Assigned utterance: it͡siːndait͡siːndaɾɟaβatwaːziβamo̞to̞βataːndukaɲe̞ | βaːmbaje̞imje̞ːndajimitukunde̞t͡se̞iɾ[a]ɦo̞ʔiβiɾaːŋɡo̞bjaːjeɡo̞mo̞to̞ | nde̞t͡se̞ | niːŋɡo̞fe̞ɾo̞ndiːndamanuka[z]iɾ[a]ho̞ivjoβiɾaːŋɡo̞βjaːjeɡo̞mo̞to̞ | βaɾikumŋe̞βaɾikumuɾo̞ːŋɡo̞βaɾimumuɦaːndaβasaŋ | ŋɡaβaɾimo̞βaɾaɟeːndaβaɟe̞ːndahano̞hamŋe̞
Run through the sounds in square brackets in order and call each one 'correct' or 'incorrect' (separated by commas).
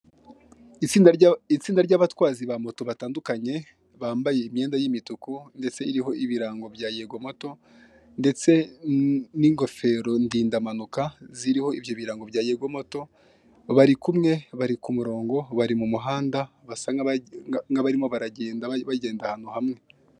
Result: incorrect, correct, incorrect